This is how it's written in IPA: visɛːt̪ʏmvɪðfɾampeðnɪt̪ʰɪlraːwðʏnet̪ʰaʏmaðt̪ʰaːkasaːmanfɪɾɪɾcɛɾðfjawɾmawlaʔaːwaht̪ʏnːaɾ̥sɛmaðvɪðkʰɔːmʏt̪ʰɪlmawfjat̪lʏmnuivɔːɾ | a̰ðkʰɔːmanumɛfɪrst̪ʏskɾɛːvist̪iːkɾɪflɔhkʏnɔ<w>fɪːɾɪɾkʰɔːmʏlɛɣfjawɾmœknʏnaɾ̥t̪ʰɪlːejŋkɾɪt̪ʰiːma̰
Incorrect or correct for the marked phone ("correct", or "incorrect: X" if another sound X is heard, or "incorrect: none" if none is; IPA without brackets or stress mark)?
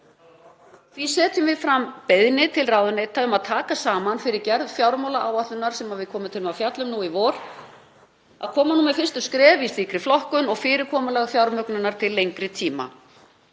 incorrect: ɣ